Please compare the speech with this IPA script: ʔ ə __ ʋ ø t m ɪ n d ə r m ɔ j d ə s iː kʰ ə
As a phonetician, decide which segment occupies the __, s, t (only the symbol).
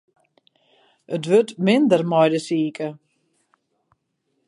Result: t